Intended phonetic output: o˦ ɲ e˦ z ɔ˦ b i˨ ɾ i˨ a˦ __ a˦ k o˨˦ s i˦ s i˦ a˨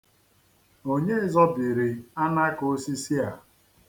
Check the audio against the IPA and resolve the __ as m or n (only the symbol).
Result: n